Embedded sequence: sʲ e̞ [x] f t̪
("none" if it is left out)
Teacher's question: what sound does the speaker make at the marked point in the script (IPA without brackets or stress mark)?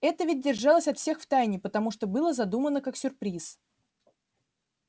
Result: x